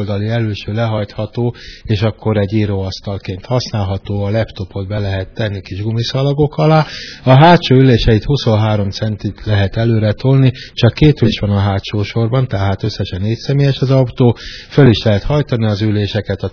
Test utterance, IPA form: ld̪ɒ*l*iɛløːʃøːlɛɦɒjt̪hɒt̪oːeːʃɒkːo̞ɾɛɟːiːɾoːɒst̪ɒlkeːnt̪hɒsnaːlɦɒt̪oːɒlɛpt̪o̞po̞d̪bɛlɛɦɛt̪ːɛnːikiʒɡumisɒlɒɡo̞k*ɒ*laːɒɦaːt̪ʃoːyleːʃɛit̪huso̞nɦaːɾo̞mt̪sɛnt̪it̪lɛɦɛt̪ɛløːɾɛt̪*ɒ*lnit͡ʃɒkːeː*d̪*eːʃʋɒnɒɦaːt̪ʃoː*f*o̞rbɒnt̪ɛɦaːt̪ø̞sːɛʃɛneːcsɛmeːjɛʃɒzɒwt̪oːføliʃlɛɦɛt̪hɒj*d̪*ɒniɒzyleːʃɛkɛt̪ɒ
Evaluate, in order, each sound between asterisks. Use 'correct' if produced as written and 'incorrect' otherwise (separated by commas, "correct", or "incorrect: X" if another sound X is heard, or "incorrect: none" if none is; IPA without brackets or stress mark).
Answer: correct, correct, incorrect: o, incorrect: t̪, incorrect: ʃ, incorrect: t̪